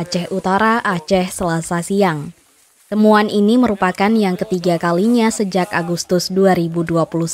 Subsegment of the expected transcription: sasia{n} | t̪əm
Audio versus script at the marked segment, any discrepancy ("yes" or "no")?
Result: yes